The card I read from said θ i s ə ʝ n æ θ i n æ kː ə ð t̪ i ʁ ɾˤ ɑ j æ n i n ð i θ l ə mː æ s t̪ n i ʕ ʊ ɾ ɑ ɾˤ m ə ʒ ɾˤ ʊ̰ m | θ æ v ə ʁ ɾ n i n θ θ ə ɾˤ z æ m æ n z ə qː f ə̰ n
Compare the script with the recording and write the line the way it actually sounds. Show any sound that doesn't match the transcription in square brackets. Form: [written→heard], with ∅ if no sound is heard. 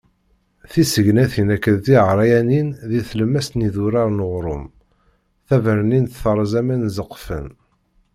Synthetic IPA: θ i s ə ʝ n æ θ i n æ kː ə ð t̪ i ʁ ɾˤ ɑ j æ n i n ð i θ l ə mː æ s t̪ n i [ʕ→ð] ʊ ɾ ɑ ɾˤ [m→n] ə [ʒ→ʁ] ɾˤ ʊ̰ m | θ æ v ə [ʁ→∅] ɾ n i n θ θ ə ɾˤ z æ m æ n z ə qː f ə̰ n